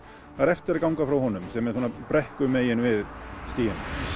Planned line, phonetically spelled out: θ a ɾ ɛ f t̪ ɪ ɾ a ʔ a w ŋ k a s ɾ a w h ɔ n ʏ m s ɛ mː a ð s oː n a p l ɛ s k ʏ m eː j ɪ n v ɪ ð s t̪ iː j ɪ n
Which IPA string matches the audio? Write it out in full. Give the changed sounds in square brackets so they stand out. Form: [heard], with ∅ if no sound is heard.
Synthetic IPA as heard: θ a ɾ ɛ f t̪ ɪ ɾ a [k] a w ŋ k a [f] ɾ a w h ɔ n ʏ m s ɛ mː [ɛ] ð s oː n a p [ɾ] ɛ [h] k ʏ m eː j ɪ n v ɪ ð s t̪ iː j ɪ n